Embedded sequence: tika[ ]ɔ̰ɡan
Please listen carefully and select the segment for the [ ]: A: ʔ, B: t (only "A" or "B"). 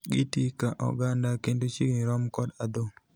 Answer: A